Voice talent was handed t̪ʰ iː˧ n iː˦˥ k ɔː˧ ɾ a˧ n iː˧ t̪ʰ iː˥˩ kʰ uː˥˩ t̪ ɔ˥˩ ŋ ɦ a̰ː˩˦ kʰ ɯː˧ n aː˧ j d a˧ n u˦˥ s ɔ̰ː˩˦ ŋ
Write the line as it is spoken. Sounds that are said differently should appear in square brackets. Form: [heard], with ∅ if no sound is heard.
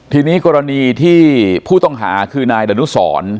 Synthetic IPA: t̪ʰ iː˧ n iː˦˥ k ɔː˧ ɾ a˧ n iː˧ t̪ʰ iː˥˩ [pʰ] uː˥˩ t̪ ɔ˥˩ ŋ ɦ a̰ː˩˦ kʰ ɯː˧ n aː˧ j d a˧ n u˦˥ s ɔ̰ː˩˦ [n]